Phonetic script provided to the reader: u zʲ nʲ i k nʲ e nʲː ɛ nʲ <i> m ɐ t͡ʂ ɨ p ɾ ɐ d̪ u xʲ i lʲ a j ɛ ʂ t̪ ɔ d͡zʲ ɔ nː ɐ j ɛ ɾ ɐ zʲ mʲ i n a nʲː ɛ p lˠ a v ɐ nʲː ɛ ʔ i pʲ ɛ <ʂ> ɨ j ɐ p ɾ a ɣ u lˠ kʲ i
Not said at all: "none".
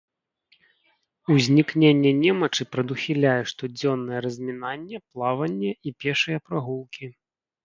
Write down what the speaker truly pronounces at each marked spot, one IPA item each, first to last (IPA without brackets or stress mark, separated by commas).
ɛ, ʂ